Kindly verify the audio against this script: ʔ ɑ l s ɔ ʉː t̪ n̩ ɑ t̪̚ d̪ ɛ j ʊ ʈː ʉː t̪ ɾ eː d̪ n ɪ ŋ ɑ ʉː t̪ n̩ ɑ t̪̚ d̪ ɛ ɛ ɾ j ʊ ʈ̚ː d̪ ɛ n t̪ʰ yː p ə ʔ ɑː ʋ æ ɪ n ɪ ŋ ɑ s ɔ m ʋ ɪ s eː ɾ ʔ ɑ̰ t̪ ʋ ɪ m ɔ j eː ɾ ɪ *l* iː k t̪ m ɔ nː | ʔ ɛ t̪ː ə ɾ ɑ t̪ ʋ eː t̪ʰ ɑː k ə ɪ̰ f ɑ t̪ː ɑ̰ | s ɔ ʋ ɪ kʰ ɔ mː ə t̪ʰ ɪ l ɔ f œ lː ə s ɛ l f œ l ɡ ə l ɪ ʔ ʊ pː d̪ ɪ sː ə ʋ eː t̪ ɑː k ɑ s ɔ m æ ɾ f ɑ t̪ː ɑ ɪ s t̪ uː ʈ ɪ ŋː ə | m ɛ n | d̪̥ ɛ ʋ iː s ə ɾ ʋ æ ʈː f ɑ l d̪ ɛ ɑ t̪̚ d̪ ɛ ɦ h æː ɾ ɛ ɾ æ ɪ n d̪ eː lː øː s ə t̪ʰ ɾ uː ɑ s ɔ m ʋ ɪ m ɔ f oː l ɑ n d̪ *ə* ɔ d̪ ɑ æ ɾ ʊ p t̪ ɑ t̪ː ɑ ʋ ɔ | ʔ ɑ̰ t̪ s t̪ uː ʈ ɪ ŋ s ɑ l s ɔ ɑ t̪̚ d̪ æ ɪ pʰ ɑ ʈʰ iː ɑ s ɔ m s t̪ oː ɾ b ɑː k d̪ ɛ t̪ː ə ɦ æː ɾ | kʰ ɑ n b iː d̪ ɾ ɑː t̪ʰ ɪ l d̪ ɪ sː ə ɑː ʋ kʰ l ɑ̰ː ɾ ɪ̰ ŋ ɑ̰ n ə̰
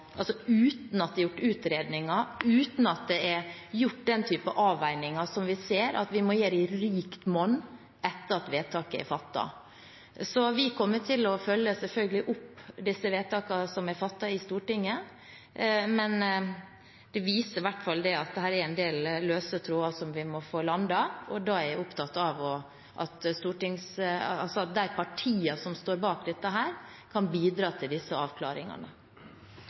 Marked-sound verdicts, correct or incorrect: incorrect, incorrect

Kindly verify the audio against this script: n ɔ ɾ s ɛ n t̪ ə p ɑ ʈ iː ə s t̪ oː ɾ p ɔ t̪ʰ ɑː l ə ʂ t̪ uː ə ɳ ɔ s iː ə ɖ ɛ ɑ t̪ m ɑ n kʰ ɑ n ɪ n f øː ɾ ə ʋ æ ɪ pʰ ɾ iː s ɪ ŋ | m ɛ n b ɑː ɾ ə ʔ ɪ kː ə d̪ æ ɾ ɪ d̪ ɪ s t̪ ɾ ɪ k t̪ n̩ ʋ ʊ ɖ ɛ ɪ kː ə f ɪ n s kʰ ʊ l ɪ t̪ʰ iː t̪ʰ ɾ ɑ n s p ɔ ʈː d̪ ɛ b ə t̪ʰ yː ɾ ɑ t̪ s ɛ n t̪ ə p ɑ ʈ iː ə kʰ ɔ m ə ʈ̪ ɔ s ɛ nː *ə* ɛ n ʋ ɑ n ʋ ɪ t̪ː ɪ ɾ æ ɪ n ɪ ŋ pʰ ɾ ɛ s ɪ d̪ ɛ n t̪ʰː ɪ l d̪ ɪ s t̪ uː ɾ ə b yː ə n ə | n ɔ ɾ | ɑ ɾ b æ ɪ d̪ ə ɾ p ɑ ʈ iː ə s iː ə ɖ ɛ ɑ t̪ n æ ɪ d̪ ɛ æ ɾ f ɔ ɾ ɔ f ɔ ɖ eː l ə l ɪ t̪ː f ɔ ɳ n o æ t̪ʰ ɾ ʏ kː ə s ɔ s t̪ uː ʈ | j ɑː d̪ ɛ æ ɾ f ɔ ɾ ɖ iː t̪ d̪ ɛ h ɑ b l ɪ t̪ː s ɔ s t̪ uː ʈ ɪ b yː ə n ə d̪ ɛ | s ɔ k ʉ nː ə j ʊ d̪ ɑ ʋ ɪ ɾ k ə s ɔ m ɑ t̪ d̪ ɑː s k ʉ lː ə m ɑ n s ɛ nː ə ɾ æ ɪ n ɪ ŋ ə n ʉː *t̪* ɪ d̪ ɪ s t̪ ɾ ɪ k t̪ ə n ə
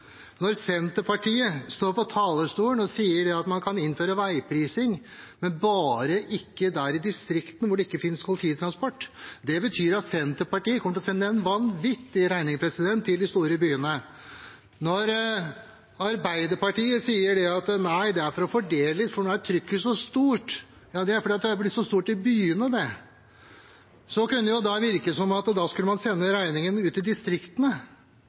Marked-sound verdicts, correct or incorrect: correct, correct

